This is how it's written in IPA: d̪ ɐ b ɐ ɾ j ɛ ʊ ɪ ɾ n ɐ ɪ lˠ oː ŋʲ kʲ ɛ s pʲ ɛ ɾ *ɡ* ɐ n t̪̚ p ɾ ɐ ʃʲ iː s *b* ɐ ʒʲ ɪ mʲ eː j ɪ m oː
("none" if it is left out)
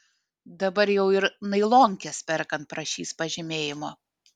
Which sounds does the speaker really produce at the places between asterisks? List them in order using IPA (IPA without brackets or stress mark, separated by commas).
k, p